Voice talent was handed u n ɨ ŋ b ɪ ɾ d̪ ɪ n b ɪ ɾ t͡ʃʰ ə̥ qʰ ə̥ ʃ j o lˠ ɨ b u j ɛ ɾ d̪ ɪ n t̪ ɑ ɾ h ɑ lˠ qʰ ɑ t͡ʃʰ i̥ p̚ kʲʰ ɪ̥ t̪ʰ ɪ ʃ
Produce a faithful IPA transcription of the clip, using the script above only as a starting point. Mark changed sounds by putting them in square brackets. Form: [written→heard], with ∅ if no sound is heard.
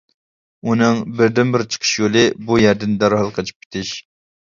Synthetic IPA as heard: u n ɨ ŋ b ɪ ɾ d̪ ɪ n b ɪ ɾ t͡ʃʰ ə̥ qʰ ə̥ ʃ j o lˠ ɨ b u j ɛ ɾ d̪ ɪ n [t̪→d̪] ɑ ɾ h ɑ lˠ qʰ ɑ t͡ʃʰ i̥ p̚ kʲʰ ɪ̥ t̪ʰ ɪ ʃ